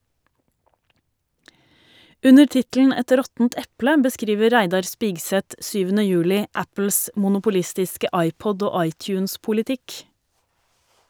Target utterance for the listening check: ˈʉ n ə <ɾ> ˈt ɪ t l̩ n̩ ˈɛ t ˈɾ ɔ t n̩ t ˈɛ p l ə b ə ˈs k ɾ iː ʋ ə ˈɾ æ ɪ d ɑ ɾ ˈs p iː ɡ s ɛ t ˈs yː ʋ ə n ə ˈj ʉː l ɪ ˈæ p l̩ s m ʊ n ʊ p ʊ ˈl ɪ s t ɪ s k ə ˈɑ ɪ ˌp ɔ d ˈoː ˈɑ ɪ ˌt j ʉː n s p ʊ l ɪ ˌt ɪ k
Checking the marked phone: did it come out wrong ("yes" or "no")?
no